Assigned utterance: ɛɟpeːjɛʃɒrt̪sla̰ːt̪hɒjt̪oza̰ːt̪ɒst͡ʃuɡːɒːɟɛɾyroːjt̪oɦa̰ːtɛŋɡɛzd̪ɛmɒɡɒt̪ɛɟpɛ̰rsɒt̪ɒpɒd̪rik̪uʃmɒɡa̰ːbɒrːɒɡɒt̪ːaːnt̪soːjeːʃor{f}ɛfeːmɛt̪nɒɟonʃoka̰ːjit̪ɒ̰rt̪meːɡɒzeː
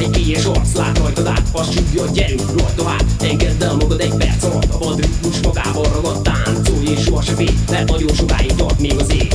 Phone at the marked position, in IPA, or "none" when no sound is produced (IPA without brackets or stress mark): ʃ